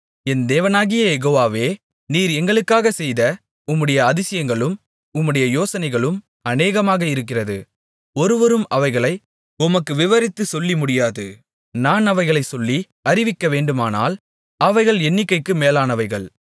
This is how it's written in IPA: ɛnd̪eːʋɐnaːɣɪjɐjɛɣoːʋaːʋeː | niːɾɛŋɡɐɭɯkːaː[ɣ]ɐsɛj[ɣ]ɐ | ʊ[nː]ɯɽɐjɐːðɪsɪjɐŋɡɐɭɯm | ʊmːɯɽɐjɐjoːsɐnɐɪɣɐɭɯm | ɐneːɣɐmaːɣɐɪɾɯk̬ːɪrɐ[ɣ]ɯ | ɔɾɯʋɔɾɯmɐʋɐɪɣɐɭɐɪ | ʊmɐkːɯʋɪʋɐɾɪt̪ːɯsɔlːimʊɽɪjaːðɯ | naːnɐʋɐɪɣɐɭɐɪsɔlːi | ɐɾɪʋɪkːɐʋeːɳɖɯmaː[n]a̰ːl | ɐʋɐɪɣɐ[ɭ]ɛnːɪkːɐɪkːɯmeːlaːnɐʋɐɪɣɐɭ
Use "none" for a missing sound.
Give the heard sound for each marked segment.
ɣ, ð, mː, ð, n, ɭ

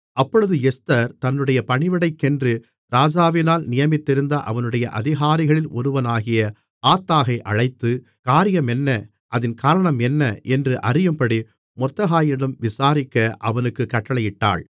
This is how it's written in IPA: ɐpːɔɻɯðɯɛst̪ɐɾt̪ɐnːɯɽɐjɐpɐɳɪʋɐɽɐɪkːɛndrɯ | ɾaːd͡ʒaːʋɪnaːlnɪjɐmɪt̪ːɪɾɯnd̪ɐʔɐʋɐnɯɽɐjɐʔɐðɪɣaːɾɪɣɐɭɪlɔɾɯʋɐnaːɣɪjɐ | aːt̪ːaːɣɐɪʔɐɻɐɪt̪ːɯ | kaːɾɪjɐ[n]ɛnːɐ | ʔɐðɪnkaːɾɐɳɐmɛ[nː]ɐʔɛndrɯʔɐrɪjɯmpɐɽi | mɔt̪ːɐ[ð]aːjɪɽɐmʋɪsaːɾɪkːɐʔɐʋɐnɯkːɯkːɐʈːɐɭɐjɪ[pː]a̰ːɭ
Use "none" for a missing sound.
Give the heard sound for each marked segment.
m, nː, ɣ, ʈː

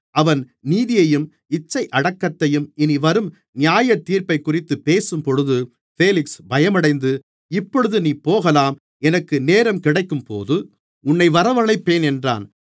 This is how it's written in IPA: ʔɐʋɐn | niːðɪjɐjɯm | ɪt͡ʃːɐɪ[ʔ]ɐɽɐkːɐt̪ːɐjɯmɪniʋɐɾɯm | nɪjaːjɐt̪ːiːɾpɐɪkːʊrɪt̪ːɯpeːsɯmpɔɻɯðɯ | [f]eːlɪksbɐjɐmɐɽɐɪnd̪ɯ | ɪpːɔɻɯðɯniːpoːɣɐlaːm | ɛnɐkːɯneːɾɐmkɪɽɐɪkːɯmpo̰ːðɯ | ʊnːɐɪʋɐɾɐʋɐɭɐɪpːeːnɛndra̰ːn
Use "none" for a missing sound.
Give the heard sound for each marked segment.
ʔ, f

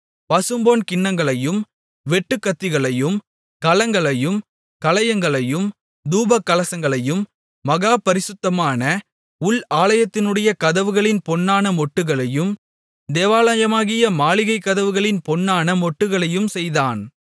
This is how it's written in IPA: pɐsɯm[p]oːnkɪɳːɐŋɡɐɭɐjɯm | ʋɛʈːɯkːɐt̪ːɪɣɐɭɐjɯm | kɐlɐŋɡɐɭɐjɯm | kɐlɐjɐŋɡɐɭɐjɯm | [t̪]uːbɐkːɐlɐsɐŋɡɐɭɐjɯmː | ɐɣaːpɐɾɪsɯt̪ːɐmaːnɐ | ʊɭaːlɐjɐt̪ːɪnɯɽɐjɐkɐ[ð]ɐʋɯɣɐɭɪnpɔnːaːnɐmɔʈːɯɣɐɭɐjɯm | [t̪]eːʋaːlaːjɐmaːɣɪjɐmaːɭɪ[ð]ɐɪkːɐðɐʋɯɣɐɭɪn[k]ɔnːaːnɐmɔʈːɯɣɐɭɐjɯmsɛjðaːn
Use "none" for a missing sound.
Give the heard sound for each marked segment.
b, d̪, ð, d̪, ɣ, p

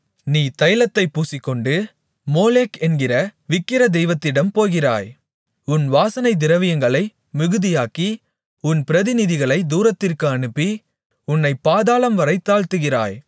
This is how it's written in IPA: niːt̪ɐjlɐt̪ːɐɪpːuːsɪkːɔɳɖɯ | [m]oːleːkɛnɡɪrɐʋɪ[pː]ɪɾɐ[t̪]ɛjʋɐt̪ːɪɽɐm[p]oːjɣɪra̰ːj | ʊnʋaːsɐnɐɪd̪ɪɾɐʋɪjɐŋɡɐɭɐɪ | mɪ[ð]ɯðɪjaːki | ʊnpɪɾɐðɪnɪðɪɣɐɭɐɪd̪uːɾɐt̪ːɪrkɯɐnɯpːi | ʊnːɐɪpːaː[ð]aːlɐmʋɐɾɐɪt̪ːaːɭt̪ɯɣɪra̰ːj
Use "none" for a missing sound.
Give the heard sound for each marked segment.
m, kː, d̪, p, ɣ, ð

